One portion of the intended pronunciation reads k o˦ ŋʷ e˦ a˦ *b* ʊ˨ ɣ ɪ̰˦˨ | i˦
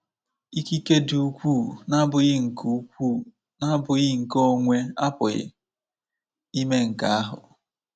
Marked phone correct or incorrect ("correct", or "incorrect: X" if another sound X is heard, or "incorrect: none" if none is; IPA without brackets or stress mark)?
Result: incorrect: p